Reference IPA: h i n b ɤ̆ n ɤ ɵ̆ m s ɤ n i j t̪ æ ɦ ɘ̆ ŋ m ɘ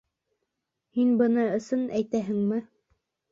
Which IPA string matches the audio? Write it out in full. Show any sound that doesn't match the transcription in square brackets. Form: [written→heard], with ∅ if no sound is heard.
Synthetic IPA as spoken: h i n b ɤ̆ n ɤ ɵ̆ [m→∅] s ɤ n [i→æ] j t̪ æ ɦ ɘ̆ ŋ m ɘ